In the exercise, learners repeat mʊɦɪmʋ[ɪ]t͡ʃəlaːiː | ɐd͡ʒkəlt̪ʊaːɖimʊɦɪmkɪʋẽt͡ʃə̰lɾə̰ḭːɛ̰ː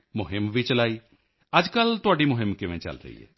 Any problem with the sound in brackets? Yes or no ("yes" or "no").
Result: yes